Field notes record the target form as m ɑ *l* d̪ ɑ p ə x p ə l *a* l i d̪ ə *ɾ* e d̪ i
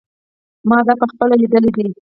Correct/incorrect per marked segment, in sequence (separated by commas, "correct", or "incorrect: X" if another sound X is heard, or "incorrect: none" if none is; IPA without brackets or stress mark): incorrect: none, correct, incorrect: l